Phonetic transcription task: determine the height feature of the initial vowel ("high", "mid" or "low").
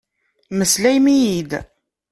mid